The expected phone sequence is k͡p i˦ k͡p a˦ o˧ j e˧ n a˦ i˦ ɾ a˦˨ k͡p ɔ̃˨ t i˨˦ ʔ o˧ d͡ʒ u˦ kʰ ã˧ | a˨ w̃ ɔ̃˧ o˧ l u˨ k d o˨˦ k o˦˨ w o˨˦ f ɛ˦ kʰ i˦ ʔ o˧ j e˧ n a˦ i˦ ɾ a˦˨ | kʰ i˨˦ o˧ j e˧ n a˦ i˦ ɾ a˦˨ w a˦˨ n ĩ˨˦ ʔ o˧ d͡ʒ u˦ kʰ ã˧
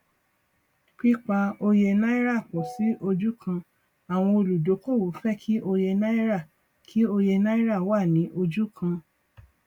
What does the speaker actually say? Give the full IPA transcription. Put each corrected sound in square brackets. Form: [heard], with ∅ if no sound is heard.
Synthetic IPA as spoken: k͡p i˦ k͡p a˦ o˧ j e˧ n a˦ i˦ ɾ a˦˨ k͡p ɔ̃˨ [s] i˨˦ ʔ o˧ d͡ʒ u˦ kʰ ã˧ | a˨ w̃ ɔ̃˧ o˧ l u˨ [∅] d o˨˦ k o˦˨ w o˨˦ f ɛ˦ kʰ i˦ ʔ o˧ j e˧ n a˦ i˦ ɾ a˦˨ | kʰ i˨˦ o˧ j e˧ n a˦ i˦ ɾ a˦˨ w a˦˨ n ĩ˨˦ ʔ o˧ d͡ʒ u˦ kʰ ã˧